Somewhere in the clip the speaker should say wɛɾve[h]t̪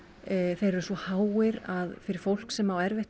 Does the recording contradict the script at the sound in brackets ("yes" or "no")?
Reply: no